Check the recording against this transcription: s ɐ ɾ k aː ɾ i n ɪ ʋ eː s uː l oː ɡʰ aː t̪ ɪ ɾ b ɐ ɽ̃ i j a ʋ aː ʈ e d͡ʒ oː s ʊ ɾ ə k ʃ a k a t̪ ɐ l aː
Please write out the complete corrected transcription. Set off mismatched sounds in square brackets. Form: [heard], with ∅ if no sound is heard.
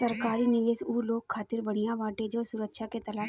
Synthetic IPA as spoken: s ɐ ɾ k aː ɾ i n ɪ ʋ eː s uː l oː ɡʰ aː t̪ ɪ ɾ b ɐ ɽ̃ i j a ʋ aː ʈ e d͡ʒ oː s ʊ ɾ ə k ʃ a k [e] t̪ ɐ l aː